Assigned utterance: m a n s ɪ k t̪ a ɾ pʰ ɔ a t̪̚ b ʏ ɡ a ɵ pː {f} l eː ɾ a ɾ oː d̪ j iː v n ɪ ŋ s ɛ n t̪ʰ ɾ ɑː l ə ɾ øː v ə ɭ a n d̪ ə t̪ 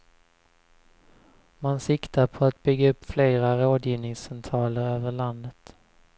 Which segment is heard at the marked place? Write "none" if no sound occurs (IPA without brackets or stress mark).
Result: f